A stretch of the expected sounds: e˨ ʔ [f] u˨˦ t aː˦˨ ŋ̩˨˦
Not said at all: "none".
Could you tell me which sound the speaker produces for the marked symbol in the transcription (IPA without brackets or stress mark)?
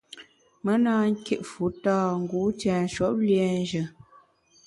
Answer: f